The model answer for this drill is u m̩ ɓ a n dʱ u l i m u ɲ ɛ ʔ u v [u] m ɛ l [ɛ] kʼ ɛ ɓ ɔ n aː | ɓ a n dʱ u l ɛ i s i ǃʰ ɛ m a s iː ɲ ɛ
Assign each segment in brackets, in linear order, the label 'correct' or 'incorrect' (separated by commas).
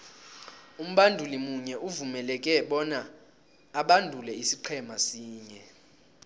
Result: correct, correct